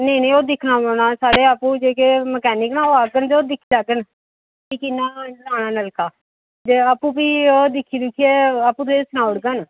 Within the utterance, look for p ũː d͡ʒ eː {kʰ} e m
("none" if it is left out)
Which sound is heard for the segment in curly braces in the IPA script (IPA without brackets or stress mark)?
k